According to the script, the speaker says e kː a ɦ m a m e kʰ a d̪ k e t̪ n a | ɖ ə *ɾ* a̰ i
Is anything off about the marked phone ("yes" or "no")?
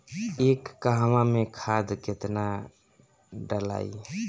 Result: yes